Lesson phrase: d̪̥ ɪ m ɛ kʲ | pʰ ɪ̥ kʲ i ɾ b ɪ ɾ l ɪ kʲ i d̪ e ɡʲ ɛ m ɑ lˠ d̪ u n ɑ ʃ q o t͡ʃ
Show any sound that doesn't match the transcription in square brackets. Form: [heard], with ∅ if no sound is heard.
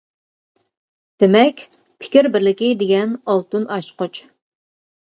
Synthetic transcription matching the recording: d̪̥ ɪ m ɛ kʲ | pʰ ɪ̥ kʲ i ɾ b ɪ ɾ l ɪ kʲ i d̪ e ɡʲ ɛ [n] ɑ lˠ [t̪] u n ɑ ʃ q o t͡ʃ